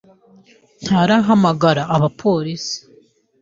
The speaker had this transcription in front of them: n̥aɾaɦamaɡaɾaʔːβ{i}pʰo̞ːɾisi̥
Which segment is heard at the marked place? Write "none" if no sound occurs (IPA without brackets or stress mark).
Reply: a